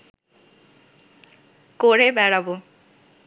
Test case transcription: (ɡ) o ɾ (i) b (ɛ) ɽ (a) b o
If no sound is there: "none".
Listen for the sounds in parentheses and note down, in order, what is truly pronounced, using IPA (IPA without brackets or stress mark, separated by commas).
k, e, ɛ, a